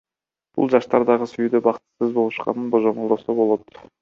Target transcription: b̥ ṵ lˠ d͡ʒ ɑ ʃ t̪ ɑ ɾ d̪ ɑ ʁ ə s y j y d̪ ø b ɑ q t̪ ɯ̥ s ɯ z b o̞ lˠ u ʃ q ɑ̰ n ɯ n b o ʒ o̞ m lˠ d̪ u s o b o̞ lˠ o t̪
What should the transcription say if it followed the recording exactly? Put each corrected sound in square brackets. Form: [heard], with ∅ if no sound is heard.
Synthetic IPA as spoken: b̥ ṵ lˠ d͡ʒ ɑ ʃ t̪ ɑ ɾ d̪ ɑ ʁ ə s y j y d̪ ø b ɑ q t̪ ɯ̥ s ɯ z b o̞ lˠ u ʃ q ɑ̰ n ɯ n b o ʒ o̞ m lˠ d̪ [o] s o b o̞ lˠ o t̪